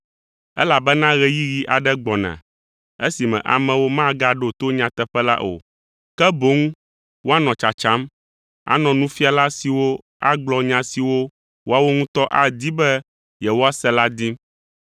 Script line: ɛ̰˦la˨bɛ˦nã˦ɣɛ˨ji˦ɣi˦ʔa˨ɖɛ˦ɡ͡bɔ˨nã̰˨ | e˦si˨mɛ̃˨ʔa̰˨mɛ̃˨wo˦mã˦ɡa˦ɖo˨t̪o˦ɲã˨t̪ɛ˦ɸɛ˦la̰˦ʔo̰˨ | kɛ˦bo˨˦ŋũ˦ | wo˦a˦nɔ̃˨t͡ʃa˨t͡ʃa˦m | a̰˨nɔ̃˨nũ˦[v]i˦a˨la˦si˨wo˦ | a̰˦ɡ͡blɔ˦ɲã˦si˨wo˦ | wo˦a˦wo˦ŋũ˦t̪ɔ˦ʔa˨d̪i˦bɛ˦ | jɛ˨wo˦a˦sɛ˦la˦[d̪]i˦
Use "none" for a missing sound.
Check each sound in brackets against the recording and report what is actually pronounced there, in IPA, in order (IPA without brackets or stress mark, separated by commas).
f, d̪